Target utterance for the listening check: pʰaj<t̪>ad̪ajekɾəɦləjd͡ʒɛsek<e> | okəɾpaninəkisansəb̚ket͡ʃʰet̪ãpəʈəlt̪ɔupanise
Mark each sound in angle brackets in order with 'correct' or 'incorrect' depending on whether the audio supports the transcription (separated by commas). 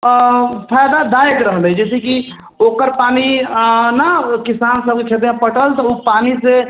incorrect, incorrect